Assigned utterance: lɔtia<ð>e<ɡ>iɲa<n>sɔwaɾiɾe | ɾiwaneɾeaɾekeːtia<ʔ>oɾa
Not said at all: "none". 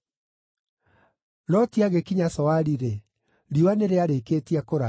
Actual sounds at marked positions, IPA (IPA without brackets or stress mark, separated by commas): ɣ, k, none, k